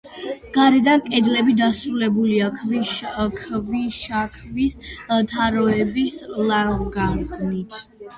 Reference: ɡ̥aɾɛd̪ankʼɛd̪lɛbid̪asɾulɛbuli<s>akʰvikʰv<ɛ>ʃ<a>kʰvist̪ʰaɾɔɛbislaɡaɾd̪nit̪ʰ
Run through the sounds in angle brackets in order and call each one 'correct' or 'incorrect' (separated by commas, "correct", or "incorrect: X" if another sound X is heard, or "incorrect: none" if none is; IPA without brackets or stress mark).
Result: incorrect: none, incorrect: i, correct